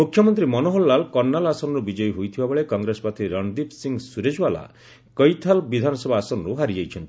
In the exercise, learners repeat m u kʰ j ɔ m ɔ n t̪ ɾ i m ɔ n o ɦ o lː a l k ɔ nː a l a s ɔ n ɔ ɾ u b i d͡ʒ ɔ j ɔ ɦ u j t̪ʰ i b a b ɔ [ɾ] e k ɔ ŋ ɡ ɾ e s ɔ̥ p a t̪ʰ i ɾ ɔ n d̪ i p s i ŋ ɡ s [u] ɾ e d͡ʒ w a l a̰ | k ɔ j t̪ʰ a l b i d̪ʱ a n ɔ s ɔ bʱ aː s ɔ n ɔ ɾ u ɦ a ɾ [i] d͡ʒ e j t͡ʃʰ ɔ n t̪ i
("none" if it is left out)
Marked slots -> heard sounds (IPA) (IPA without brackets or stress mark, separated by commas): ɭ, u, i